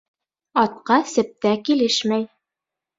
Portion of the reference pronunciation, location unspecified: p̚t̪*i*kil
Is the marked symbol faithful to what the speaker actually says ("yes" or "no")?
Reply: no